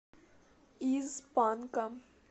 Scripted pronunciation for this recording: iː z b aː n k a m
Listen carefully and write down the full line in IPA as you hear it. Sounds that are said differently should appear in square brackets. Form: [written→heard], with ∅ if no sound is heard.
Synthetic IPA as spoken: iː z [b→p] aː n k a m